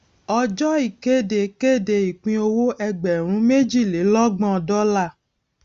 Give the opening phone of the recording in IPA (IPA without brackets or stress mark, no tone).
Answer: ɔ